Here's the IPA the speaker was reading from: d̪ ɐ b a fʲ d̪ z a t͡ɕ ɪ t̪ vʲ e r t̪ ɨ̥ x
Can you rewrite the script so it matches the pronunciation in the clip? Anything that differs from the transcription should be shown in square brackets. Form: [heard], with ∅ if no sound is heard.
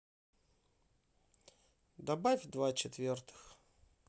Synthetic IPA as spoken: d̪ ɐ b a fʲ d̪ [v] a t͡ɕ ɪ t̪ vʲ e r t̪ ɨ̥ x